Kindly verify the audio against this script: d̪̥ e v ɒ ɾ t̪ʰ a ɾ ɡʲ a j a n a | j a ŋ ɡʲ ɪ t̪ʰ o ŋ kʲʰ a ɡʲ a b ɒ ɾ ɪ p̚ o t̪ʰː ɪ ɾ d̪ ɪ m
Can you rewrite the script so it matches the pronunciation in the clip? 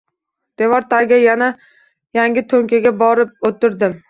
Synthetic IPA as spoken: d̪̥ e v ɒ ɾ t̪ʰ a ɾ ɡʲ a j a n a | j a ŋ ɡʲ ɪ t̪ʰ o ŋ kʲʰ a ɡʲ a b ɒ ɾ ɪ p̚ o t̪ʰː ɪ ɾ d̪ ɪ m